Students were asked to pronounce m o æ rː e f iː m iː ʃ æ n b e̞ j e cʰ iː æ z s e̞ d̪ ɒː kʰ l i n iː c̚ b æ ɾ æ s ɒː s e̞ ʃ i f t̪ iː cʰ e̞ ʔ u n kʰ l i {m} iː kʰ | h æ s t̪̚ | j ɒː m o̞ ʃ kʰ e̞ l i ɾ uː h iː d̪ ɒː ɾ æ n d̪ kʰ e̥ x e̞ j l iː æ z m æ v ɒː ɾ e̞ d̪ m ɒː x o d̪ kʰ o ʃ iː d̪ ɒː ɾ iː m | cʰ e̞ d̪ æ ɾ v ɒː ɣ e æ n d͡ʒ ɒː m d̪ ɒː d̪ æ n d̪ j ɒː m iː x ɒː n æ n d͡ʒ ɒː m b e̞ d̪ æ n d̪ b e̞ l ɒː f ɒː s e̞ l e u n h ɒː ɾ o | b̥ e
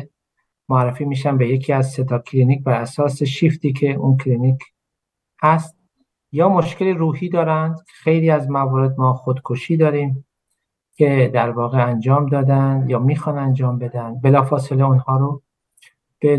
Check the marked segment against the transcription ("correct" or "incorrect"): incorrect